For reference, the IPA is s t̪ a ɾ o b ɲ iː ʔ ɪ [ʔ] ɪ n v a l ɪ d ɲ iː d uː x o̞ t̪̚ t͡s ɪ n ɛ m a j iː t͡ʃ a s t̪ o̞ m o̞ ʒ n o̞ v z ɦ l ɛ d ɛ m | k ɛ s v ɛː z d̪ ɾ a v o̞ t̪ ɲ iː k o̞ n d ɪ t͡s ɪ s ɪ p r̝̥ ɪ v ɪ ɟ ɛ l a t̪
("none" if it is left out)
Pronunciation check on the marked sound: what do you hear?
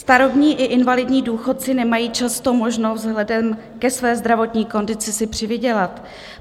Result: ʔ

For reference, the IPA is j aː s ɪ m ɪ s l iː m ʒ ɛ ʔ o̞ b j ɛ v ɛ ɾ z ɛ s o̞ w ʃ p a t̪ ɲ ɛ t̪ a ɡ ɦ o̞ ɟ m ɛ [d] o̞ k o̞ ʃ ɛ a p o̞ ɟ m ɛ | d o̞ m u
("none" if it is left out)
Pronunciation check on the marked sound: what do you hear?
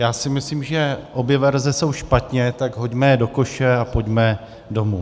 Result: d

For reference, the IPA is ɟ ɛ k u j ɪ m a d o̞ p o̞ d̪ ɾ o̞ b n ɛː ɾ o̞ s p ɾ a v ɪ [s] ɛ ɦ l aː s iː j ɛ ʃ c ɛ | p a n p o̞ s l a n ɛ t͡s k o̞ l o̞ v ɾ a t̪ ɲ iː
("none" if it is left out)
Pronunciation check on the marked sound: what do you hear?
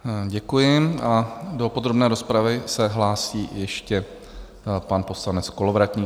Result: s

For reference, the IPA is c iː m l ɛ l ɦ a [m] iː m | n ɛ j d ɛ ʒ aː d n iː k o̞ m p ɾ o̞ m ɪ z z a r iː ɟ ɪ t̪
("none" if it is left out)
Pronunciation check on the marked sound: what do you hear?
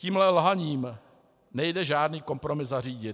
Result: ɲ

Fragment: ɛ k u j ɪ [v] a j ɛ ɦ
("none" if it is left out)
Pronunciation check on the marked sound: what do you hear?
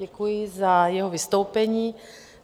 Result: z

